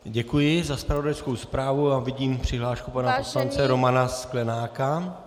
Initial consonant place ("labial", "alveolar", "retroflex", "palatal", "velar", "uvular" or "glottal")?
palatal